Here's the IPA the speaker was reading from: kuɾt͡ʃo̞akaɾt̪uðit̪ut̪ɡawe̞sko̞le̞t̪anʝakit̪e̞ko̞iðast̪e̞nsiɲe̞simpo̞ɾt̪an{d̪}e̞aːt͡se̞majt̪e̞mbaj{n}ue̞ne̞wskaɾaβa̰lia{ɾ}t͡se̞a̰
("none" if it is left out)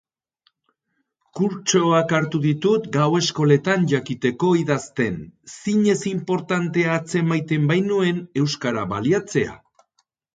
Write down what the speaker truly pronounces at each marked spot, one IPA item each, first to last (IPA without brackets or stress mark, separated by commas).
t̪, n, none